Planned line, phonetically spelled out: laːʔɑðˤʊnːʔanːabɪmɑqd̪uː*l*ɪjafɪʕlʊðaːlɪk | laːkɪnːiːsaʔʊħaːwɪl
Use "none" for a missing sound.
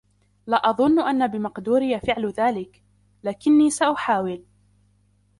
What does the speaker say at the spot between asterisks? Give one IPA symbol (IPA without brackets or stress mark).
ɾ